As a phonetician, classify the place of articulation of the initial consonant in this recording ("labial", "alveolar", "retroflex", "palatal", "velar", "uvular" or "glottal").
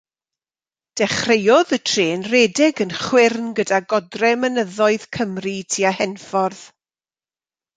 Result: alveolar